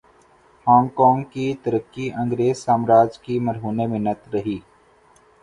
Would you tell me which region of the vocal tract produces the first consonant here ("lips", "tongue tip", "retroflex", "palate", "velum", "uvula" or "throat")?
throat